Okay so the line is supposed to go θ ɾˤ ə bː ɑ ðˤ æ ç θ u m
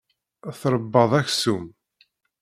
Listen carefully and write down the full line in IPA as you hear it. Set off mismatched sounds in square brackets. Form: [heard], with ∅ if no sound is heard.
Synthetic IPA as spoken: θ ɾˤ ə bː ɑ ðˤ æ ç [s] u m